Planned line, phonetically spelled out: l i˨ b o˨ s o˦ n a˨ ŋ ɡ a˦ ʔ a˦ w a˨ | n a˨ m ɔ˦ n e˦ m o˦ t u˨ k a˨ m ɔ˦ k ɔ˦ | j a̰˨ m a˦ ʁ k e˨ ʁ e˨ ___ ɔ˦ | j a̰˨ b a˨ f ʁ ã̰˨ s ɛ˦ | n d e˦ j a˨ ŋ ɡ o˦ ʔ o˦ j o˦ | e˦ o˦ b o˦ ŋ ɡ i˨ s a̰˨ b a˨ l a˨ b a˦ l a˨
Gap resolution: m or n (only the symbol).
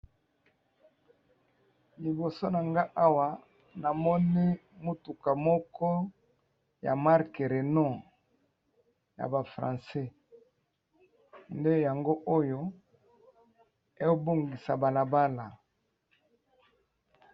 n